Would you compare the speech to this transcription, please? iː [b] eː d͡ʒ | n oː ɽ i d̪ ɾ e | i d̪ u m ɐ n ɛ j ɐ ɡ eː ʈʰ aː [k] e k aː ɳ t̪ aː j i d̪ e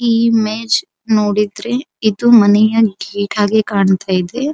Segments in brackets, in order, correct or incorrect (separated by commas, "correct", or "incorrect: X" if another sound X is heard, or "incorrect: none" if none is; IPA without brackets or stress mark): incorrect: m, incorrect: ɡ